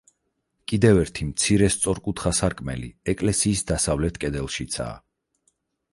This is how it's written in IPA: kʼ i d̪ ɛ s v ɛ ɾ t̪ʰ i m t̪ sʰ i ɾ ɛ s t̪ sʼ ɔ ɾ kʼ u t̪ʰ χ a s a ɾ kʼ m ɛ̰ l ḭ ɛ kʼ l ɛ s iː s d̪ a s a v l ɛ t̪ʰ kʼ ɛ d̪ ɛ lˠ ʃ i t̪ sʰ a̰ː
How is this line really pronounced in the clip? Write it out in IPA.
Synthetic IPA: kʼ i d̪ ɛ v ɛ ɾ t̪ʰ i m t̪ sʰ i ɾ ɛ s t̪ sʼ ɔ ɾ kʼ u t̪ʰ χ a s a ɾ kʼ m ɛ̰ l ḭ ɛ kʼ l ɛ s iː s d̪ a s a v l ɛ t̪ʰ kʼ ɛ d̪ ɛ lˠ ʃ i t̪ sʰ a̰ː